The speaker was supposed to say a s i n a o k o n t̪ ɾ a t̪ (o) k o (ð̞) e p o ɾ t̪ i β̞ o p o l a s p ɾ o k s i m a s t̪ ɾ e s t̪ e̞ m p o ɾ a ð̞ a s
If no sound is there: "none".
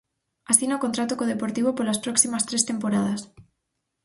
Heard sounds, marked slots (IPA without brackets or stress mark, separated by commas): o, ð̞